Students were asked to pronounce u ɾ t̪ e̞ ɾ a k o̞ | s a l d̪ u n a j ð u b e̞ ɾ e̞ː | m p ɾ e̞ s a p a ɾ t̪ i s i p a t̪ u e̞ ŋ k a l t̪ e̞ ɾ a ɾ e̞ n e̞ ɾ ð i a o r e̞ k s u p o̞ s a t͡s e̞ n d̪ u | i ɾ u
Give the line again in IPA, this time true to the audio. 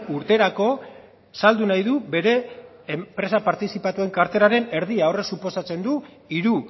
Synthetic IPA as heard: u ɾ t̪ e̞ ɾ a k o̞ | s a l d̪ u n a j ð u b e̞ ɾ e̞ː | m p ɾ e̞ s a p a ɾ t̪ i s i p a t̪ u e̞ ŋ k a ɾ t̪ e̞ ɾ a ɾ e̞ n e̞ ɾ ð i a o r e̞ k s u p o̞ s a t͡s e̞ n d̪ u | i ɾ u